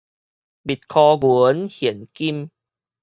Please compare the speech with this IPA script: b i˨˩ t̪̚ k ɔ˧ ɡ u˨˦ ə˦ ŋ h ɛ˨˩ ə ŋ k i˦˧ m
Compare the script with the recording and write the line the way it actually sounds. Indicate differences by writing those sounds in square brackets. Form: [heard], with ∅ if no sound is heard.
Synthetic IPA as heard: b i˨˩ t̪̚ [kʰ] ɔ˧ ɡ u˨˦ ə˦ [n] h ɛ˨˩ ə [n] k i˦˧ m